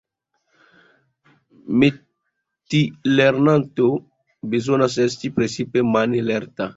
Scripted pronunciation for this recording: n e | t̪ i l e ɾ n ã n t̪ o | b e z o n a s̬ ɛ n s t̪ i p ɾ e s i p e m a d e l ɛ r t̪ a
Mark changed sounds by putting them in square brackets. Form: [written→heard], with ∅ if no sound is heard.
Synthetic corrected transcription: [n→m] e | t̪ i l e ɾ n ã n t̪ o | b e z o n a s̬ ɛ [n→∅] s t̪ i p ɾ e s i p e m a [d→n] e l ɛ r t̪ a

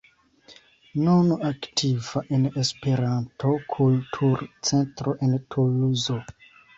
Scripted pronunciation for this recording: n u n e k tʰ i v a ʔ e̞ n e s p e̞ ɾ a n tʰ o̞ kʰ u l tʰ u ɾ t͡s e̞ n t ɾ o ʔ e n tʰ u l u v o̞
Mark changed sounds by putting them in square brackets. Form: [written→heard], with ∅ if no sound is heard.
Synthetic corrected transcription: n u n [e→a] k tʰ i v a ʔ e̞ n e s p e̞ ɾ a n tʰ o̞ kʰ u l tʰ u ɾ t͡s e̞ n t ɾ o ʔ e n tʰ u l u [v→z] o̞

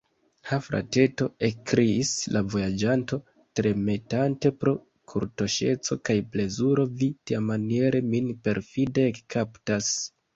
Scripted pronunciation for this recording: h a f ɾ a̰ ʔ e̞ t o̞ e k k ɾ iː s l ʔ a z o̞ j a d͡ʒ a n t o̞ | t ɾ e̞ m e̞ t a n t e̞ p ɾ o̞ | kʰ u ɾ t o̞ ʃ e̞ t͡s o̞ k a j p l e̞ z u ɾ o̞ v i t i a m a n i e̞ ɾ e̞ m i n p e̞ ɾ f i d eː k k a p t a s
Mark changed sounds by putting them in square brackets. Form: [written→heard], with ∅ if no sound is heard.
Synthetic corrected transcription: h a f ɾ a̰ [ʔ→t] e̞ t o̞ e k k ɾ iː s l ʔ a [z→v] o̞ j a d͡ʒ a n t o̞ | t ɾ e̞ m e̞ t a n t e̞ p ɾ o̞ | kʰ u ɾ t o̞ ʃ e̞ t͡s o̞ k a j p l e̞ z u ɾ o̞ v i t i a m a n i e̞ ɾ e̞ m i n p e̞ ɾ f i d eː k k a p t a s

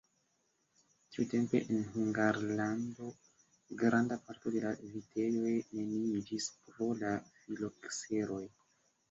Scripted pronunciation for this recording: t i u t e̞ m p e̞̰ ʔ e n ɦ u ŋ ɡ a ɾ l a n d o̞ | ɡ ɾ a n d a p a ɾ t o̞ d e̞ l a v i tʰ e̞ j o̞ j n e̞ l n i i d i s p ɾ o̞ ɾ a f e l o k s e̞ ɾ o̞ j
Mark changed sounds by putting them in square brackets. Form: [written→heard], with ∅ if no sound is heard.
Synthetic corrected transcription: t i u t e̞ m p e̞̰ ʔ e n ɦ u ŋ ɡ a ɾ l a n d o̞ | ɡ ɾ a n d a p a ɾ t o̞ d e̞ l a v i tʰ e̞ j o̞ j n e̞ [l→∅] n i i [d→d͡ʒ] i s p ɾ o̞ [ɾ→l] a f [e→i] l o k s e̞ ɾ o̞ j

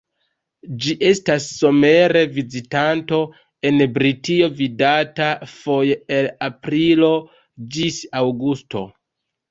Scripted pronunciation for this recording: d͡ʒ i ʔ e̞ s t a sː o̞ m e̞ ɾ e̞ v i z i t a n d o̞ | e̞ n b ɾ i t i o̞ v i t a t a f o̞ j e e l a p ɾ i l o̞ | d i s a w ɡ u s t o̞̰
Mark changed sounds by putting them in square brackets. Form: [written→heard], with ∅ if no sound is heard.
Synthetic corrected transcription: d͡ʒ i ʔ e̞ s t a sː o̞ m e̞ ɾ e̞ v i z i t a n [d→t] o̞ | e̞ n b ɾ i t i o̞ v i [t→d] a t a f o̞ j e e l a p ɾ i l o̞ | [d→d͡ʒ] i s a w ɡ u s t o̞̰

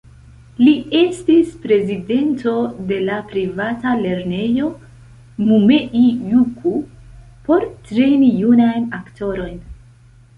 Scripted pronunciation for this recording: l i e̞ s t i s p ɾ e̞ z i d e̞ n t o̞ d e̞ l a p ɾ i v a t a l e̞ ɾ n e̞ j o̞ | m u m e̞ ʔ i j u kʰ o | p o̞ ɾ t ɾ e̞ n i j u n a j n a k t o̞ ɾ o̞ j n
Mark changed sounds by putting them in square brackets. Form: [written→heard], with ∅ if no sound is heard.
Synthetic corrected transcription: l i e̞ s t i s p ɾ e̞ z i d e̞ n t o̞ d e̞ l a p ɾ i v a t a l e̞ ɾ n e̞ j o̞ | m u m e̞ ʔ i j u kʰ [o→u] | p o̞ ɾ t ɾ e̞ n i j u n a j n a k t o̞ ɾ o̞ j n

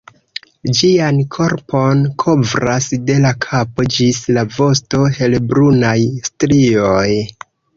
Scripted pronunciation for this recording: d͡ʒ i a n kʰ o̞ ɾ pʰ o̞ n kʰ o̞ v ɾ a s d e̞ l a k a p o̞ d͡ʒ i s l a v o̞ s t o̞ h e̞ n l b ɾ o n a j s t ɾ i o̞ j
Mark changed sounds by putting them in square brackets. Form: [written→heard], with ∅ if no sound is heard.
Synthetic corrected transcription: d͡ʒ i a n kʰ o̞ ɾ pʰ o̞ n kʰ o̞ v ɾ a s d e̞ l a [k→kʰ] a p o̞ d͡ʒ i s l a v o̞ s t o̞ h e̞ [n→∅] l b ɾ [o→u] n a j s t ɾ i o̞ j

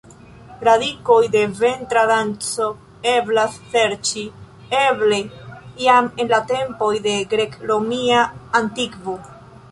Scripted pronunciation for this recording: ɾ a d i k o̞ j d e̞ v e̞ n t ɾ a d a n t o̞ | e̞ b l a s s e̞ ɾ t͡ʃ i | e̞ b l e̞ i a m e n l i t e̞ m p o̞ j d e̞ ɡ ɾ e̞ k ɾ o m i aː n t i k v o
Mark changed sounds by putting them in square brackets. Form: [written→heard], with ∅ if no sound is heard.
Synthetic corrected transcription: ɾ a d i k o̞ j d e̞ v e̞ n t ɾ a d a n [t→t͡s] o̞ | e̞ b l a s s e̞ ɾ t͡ʃ i | e̞ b l e̞ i a m e n l [i→a] t e̞ m p o̞ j d e̞ ɡ ɾ e̞ k ɾ o m i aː n t i k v o

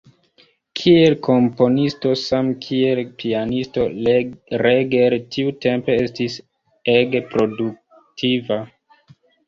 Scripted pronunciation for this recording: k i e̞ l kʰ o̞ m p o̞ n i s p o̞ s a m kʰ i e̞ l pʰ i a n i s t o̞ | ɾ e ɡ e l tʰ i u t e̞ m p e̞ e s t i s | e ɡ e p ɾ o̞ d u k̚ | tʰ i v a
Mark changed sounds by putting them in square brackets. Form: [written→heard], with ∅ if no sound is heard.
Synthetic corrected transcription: [k→kʰ] i e̞ l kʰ o̞ m p o̞ n i s [p→t] o̞ s a m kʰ i e̞ l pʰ i a n i s t o̞ | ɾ e ɡ e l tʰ i u t e̞ m p e̞ e s t i s | e ɡ e p ɾ o̞ d u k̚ | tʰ i v a

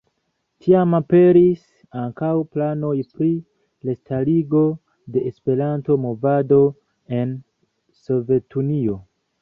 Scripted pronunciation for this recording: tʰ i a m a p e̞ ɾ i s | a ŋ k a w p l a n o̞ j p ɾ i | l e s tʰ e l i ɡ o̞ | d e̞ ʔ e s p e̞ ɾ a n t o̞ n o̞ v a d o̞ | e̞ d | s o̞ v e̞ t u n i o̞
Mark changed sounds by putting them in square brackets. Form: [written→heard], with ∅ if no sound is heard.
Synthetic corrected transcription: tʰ i a m a p e̞ ɾ i s | a ŋ k a w p l a n o̞ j p ɾ i | l e s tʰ [e→a] l i ɡ o̞ | d e̞ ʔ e s p e̞ ɾ a n t o̞ [n→m] o̞ v a d o̞ | e̞ [d→n] | s o̞ v e̞ t u n i o̞

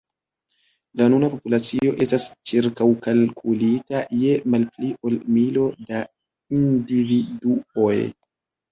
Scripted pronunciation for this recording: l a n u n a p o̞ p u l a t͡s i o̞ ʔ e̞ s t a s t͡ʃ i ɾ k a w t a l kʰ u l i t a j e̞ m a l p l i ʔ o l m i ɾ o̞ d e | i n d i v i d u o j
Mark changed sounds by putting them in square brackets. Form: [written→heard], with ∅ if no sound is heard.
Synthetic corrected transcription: l a n u n a p o̞ p u l a t͡s i o̞ ʔ e̞ s t a s t͡ʃ i ɾ k a w [t→k] a l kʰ u l i t a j e̞ m a l p l i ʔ o l m i [ɾ→l] o̞ d [e→a] | i n d i v i d u o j

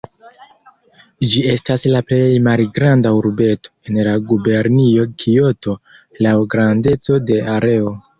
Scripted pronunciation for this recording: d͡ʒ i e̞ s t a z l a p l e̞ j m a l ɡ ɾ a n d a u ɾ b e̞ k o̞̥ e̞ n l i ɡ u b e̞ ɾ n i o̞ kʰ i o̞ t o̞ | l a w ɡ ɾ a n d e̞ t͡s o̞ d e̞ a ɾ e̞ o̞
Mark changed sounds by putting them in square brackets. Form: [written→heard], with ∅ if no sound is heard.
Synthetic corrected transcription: d͡ʒ i e̞ s t a [z→s] l a p l e̞ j m a l ɡ ɾ a n d a u ɾ b e̞ [k→t] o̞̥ e̞ n l [i→a] ɡ u b e̞ ɾ n i o̞ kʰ i o̞ t o̞ | l a w ɡ ɾ a n d e̞ t͡s o̞ d e̞ a ɾ e̞ o̞

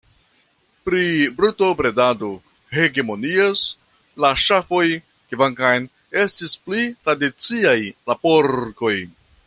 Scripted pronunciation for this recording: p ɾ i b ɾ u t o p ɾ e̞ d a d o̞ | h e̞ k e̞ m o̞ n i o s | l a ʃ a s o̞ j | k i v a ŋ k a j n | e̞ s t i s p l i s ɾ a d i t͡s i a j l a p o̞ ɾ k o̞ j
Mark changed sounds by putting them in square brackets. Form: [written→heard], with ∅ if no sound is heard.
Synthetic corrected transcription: p ɾ i b ɾ u t o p ɾ e̞ d a d o̞ | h e̞ [k→ɡ] e̞ m o̞ n i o s | l a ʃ a [s→f] o̞ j | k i v a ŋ k a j n | e̞ s t i s p l i [s→t] ɾ a d i t͡s i a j l a p o̞ ɾ k o̞ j

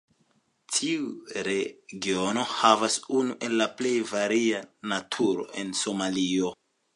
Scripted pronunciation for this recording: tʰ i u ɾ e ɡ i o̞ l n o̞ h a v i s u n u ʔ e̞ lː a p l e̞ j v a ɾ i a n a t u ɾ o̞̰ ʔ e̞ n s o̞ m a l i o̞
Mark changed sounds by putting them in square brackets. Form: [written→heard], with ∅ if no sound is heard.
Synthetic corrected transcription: tʰ i u ɾ e ɡ i o̞ [l→∅] n o̞ h a v [i→a] s u n u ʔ e̞ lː a p l e̞ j v a ɾ i a n a [t→tʰ] u ɾ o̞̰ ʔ e̞ n s o̞ m a l i o̞

